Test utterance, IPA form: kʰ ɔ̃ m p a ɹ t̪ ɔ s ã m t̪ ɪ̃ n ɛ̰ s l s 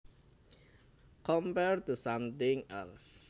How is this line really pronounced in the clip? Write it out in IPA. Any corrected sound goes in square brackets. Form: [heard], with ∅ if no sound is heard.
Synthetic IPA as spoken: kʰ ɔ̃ m p [ɛ] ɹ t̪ [u] s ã m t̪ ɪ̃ [ŋ] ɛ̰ [∅] l s